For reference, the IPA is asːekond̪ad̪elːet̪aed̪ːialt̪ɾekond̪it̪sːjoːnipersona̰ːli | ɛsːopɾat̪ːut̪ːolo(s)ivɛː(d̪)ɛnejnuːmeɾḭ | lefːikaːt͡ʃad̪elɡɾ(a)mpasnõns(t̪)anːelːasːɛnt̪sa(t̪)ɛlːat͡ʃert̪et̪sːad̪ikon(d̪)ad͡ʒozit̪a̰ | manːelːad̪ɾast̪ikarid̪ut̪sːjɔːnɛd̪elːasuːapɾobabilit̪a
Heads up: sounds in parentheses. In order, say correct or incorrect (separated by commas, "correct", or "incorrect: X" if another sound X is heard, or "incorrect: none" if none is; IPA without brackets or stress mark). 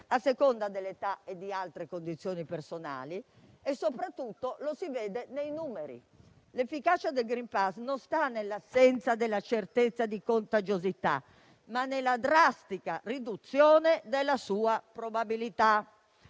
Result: correct, correct, incorrect: i, correct, incorrect: d̪, incorrect: t̪